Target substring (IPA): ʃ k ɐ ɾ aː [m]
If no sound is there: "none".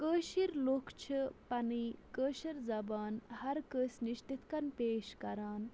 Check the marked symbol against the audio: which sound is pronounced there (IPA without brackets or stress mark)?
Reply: n